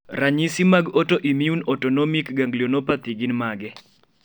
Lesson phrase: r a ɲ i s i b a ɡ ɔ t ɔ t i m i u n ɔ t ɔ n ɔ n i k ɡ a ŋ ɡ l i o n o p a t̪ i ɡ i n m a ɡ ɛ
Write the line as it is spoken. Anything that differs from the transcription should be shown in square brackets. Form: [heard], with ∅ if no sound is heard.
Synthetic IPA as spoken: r a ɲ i s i [m] a ɡ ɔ t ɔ [ʔ] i m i u n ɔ t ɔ n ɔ [m] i k ɡ a ŋ ɡ l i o n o p a t̪ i ɡ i n m a ɡ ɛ

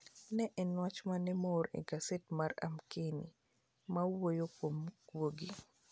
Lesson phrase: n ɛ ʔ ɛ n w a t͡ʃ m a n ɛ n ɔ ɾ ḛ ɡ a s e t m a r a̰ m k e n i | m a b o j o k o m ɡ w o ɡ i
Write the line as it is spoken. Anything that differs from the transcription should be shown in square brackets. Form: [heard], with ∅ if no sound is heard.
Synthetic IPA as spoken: n ɛ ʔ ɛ n w a t͡ʃ m a n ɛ [m] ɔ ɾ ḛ ɡ a s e t m a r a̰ m k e n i | m a [w] o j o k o m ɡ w o ɡ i

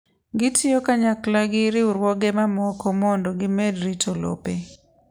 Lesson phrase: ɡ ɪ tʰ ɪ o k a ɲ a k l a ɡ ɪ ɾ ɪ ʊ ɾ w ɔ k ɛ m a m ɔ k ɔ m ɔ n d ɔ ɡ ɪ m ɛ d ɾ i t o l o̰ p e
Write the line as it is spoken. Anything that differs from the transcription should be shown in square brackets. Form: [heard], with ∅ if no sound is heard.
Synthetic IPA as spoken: ɡ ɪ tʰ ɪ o k a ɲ a k l a ɡ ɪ ɾ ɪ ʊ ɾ w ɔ [ɡ] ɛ m a m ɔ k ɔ m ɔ n d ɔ ɡ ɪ m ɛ d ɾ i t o l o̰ p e

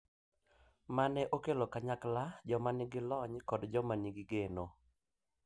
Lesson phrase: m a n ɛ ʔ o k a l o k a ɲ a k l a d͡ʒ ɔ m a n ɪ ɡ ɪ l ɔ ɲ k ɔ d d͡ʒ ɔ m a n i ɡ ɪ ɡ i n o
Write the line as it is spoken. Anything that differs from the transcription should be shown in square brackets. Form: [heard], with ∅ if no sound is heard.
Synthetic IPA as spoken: m a n ɛ ʔ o k [e] l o k a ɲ a k l a d͡ʒ ɔ m a n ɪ ɡ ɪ l ɔ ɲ k ɔ d d͡ʒ ɔ m a n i ɡ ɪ ɡ [e] n o

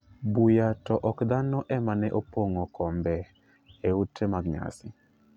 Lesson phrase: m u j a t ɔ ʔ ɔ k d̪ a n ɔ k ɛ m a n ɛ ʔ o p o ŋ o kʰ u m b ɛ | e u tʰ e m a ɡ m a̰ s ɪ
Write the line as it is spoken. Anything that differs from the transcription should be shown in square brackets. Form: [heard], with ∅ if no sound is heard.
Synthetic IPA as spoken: [b] u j a t ɔ ʔ ɔ k d̪ a n ɔ [ʔ] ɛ m a n ɛ ʔ o p o ŋ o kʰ [ɔ] m b ɛ | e u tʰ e m a ɡ [ɲ] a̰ s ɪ

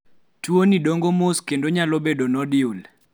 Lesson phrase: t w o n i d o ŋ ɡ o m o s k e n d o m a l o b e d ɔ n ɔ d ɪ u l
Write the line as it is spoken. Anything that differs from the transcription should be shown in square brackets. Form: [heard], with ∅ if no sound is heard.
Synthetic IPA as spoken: t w o n i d o ŋ ɡ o m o s k e n d o [ɲ] a l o b e d [o] n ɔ d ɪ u l

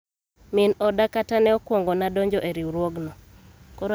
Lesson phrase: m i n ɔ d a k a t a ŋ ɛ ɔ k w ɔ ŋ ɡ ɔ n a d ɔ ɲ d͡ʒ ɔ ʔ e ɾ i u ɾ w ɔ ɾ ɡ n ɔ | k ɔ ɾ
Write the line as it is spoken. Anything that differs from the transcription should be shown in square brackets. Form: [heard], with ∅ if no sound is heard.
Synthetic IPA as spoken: m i n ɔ d a k a t a [n] ɛ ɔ k w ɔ ŋ ɡ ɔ n a d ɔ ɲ d͡ʒ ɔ ʔ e ɾ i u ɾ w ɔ [∅] ɡ n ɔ | k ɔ ɾ

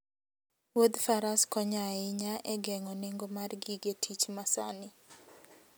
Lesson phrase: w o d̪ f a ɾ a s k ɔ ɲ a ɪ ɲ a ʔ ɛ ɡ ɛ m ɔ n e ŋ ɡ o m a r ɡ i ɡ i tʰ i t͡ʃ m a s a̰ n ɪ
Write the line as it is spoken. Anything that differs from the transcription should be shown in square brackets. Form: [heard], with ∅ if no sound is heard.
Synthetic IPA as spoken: w o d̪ f a ɾ a s k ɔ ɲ a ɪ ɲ a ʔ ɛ ɡ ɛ [ŋ] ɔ n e ŋ ɡ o m a r ɡ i ɡ [e] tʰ i t͡ʃ m a s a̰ n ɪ

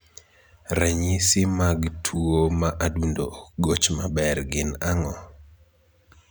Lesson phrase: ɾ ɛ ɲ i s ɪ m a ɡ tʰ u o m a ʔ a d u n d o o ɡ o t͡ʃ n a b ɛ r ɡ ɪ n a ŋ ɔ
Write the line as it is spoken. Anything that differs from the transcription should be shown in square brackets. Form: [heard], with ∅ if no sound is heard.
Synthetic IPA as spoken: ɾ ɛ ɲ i s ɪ m a ɡ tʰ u o m a ʔ a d u n d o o ɡ o t͡ʃ [m] a b ɛ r ɡ ɪ n a ŋ ɔ

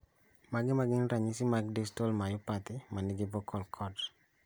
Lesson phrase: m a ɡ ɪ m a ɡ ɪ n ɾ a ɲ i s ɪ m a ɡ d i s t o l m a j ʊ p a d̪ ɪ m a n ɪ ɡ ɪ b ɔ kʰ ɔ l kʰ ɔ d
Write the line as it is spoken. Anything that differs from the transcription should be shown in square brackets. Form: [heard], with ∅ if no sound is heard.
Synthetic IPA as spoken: m a ɡ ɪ m a ɡ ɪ n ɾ a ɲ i s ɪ m a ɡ d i s t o l m a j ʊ p a [t̪] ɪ m a n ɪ ɡ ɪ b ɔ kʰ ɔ l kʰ ɔ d

